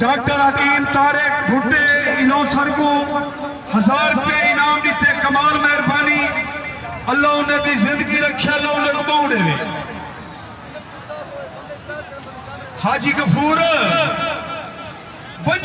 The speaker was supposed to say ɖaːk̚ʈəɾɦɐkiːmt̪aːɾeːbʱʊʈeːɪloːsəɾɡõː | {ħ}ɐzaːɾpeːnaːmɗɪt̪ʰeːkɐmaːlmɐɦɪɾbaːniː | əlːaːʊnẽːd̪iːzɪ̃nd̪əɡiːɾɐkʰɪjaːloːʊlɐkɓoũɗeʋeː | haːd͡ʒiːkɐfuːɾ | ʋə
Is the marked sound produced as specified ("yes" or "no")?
no